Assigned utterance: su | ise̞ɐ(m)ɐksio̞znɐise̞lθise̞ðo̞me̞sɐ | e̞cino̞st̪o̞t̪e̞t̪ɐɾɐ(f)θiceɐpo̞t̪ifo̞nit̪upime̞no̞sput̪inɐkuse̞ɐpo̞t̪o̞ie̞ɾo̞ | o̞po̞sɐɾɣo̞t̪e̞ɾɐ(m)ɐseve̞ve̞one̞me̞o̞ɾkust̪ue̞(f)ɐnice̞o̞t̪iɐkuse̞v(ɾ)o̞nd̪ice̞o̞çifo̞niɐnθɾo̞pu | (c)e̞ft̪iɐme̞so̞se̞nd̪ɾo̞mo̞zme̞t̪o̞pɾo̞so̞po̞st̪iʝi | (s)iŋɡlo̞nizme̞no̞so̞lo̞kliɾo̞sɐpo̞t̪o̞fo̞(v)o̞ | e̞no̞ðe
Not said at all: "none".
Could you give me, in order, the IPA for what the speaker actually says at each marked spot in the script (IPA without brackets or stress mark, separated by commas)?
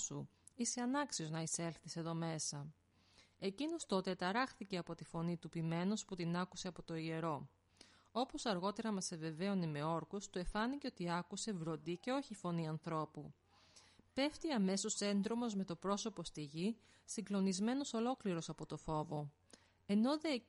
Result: n, x, m, f, ɾ, p, s, v